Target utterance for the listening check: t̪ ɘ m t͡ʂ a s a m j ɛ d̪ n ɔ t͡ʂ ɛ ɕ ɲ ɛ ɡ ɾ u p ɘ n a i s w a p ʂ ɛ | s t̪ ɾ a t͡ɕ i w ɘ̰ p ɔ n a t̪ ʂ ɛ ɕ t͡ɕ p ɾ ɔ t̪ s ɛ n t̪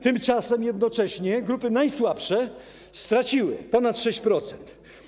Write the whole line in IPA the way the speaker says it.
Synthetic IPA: t̪ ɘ m t͡ʂ a s ɛ m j ɛ d̪ n ɔ t͡ʂ ɛ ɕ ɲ ɛ ɡ ɾ u p ɘ n a j s w a p ʂ ɛ | s t̪ ɾ a t͡ɕ i w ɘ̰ p ɔ n a t̪ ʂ ɛ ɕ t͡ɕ p ɾ ɔ t̪ s ɛ n t̪